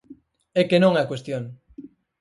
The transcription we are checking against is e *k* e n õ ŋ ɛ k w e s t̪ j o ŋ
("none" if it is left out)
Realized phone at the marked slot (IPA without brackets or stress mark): k